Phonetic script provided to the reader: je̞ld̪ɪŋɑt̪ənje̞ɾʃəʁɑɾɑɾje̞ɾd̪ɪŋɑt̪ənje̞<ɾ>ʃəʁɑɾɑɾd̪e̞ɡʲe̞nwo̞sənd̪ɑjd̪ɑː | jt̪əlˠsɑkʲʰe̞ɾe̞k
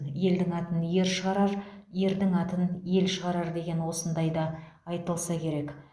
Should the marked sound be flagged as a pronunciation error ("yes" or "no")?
yes